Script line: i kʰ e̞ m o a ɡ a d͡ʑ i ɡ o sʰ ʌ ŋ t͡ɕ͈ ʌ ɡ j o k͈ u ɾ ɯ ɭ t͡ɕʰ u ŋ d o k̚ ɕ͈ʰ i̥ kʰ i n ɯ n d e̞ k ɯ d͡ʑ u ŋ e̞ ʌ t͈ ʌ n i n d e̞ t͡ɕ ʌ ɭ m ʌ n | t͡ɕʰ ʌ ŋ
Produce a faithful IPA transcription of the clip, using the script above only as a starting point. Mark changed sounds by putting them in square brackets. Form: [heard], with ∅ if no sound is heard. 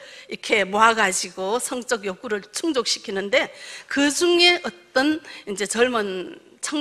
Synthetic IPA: i kʰ e̞ m o a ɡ a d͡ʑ i ɡ o sʰ ʌ ŋ t͡ɕ͈ ʌ ɡ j o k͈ u ɾ ɯ ɭ t͡ɕʰ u ŋ [d͡ʑ] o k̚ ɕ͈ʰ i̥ kʰ i n ɯ n d e̞ k ɯ d͡ʑ u ŋ e̞ ʌ t͈ ʌ n i n [d͡ʑ] e̞ t͡ɕ ʌ ɭ m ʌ n | t͡ɕʰ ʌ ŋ